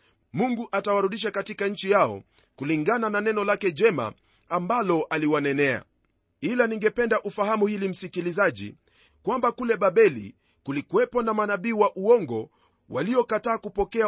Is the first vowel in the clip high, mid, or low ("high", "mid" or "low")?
high